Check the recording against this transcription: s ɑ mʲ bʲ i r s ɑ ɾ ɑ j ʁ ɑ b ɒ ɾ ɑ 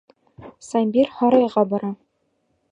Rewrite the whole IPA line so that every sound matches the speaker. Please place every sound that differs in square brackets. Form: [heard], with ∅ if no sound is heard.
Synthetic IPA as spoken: s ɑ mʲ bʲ i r [h] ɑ ɾ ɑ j ʁ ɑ b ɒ ɾ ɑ